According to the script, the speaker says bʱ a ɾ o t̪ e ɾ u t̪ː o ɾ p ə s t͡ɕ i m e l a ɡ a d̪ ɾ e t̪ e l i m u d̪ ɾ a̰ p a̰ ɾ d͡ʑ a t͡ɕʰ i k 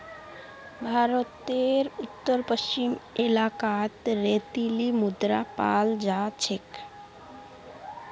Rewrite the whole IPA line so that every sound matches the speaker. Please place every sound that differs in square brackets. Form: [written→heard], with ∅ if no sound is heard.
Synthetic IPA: bʱ a ɾ o t̪ e ɾ u t̪ː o ɾ p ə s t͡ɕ i m e l a [ɡ→k] a [d̪→t̪] ɾ e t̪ [e→i] l i m u d̪ ɾ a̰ p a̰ [ɾ→l] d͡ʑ a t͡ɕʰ [i→e] k